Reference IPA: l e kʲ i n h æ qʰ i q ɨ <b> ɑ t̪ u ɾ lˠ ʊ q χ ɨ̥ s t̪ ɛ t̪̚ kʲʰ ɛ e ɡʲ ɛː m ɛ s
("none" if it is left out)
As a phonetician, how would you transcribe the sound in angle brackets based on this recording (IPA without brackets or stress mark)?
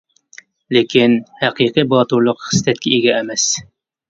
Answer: b